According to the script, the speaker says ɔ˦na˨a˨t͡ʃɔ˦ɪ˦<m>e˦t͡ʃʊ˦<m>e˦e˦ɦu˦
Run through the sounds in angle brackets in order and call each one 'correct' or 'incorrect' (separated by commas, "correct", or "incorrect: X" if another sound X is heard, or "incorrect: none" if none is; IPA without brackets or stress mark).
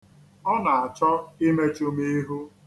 correct, correct